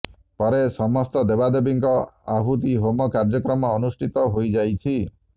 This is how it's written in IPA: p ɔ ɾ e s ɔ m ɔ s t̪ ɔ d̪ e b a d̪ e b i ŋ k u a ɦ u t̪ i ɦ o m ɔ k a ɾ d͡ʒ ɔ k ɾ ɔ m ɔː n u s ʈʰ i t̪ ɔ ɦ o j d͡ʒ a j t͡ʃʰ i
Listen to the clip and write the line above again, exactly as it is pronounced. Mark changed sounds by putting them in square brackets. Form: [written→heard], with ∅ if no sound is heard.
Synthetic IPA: p ɔ ɾ e s ɔ m ɔ s t̪ ɔ d̪ e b a d̪ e b i ŋ k [u→ɔ] a ɦ u t̪ i ɦ o m ɔ k a ɾ d͡ʒ ɔ k ɾ ɔ m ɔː n u s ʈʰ i t̪ ɔ ɦ o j d͡ʒ a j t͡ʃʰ i